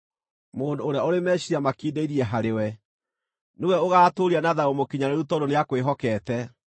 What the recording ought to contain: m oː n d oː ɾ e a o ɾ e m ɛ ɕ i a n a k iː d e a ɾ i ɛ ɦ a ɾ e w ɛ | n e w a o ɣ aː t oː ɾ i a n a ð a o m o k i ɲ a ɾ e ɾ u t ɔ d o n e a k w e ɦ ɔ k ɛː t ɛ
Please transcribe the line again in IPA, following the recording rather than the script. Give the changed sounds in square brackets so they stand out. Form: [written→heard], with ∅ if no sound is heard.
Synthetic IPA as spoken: m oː n d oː ɾ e a o ɾ e m ɛ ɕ i a [n→m] a k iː d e [a→i] ɾ i ɛ ɦ a ɾ e w ɛ | n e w [a→ɛ] o ɣ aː t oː ɾ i a n a ð a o m o k i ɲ a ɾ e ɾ u t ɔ d o n e a k w e ɦ ɔ k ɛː t ɛ